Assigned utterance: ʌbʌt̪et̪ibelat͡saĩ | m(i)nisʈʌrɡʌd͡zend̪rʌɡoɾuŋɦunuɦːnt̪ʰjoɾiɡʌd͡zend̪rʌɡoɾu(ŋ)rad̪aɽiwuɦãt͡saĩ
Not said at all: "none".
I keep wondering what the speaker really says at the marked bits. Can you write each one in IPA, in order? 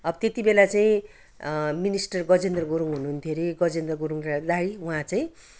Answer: i, ŋ

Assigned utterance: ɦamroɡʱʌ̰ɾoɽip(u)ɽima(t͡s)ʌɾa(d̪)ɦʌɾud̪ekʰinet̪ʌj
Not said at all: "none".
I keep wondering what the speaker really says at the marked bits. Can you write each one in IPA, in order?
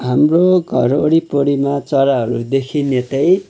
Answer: o, t͡s, none

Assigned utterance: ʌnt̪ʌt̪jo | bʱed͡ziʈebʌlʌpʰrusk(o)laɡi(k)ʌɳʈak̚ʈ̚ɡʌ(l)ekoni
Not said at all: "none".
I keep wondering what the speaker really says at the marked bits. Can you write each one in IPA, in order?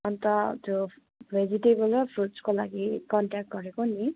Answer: o, k, ɾ

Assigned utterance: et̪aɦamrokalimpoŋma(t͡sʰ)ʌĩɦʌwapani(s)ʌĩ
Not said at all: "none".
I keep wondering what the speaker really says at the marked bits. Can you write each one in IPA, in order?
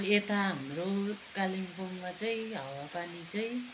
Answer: t͡s, t͡s

